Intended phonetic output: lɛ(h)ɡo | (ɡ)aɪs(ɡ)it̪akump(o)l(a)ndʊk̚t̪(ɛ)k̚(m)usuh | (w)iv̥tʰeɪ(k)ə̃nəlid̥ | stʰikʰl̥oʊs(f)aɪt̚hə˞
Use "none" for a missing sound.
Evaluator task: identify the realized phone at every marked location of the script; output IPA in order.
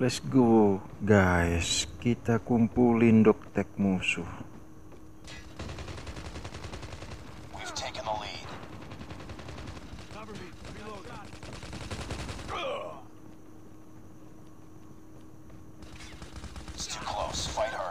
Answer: s, ɡ, k, u, i, ɛ, m, w, k, f

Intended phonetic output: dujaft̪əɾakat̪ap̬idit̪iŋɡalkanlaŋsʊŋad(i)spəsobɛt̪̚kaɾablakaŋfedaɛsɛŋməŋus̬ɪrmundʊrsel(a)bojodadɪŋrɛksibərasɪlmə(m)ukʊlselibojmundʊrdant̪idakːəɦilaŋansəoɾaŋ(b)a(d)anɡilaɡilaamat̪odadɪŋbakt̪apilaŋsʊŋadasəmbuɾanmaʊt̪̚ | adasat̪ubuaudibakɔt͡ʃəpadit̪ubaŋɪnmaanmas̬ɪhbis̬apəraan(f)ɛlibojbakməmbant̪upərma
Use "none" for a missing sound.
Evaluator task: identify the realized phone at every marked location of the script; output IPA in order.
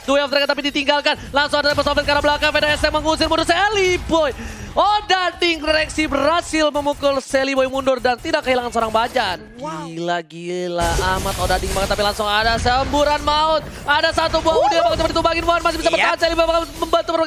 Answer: a, i, m, b, d͡ʒ, s

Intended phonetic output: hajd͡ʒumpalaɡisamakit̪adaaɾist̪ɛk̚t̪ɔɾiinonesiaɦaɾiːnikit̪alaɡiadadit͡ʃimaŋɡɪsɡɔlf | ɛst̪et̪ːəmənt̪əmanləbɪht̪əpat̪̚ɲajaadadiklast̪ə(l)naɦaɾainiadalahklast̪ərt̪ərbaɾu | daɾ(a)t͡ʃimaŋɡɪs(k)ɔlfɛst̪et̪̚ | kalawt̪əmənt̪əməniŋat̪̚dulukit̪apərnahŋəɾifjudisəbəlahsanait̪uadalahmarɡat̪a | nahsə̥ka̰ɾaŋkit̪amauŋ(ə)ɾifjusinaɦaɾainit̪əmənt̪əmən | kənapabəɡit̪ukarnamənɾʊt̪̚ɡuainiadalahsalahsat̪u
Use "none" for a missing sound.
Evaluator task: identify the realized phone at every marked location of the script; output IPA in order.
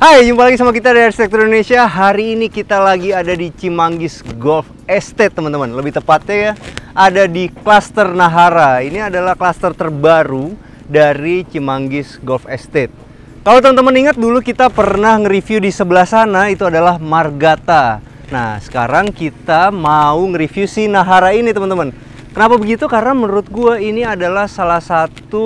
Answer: r, i, ɡ, ə

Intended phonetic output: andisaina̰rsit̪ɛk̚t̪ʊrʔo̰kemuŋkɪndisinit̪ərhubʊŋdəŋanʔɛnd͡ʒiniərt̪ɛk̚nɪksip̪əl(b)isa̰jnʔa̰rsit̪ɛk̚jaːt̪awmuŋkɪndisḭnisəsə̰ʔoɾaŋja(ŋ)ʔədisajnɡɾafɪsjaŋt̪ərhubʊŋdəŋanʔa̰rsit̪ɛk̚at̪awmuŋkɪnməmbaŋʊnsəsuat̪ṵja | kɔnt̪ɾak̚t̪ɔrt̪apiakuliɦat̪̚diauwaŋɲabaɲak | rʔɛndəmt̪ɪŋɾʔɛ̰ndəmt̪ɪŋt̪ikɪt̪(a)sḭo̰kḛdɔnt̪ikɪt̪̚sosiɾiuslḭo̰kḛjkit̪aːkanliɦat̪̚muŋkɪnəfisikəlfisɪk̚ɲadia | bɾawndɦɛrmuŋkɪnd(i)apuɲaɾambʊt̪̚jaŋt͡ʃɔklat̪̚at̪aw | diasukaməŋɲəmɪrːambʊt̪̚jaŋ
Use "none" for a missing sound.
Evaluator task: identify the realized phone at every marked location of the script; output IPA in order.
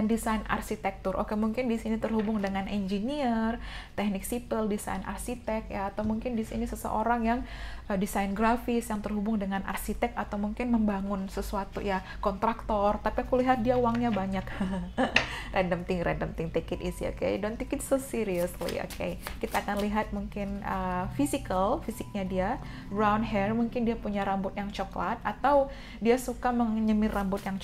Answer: d, ŋ, i, i

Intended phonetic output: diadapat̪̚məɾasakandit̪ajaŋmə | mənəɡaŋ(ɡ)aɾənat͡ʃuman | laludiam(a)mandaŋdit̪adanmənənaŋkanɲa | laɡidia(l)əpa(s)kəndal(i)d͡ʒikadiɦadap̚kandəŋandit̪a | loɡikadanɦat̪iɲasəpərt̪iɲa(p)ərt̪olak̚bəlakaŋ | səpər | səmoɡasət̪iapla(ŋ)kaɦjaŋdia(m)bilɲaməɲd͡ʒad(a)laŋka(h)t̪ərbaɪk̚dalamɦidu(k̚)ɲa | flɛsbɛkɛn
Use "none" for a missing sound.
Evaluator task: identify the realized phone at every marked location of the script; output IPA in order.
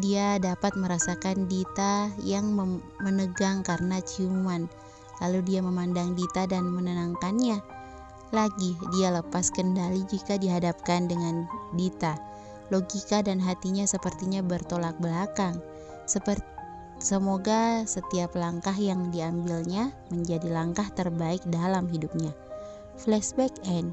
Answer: k, ə, l, s, i, b, ŋ, m, i, h, p̚

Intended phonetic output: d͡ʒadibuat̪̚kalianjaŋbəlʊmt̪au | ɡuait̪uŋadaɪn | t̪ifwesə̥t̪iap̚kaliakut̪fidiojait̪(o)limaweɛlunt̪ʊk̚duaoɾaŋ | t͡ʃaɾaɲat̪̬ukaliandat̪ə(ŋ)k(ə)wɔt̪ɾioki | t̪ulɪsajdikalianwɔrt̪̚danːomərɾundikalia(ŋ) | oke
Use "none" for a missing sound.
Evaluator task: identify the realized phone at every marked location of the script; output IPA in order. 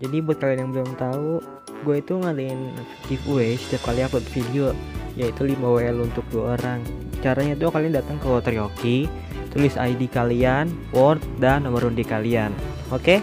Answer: u, ŋ, ə, n

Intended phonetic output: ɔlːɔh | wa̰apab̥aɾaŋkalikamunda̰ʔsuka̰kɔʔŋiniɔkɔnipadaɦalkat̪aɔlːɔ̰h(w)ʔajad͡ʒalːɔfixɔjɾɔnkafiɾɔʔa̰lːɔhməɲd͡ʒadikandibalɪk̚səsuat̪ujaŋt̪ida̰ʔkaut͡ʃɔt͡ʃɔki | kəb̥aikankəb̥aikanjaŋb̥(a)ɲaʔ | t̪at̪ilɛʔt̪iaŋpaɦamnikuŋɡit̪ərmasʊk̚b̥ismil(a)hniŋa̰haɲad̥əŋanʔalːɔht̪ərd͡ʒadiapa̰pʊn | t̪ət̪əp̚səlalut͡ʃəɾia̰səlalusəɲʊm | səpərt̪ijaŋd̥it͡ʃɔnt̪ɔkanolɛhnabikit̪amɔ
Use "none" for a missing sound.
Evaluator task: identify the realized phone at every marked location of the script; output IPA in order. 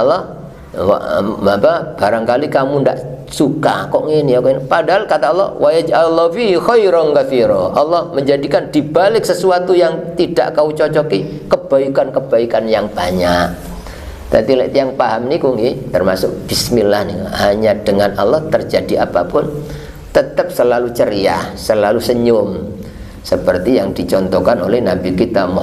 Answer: w, a, a

